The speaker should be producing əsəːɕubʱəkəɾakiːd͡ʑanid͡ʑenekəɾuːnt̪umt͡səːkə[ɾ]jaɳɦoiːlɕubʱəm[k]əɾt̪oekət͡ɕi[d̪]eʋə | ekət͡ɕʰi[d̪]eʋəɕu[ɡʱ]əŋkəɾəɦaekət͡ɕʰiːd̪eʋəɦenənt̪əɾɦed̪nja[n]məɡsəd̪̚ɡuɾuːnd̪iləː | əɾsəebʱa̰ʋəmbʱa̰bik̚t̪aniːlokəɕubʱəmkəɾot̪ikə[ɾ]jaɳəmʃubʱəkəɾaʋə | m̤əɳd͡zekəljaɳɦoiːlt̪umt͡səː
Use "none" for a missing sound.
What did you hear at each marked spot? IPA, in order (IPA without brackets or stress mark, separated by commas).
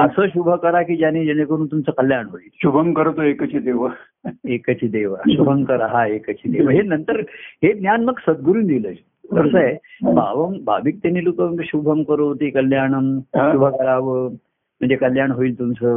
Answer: l, k, d̪, d̪, bʱ, n, l